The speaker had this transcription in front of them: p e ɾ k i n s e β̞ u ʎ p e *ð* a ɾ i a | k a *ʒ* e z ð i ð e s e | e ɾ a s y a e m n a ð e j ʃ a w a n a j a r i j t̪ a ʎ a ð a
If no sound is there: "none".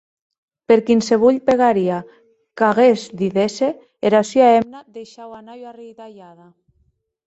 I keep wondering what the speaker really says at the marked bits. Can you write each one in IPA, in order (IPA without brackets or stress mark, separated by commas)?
ɣ, ɣ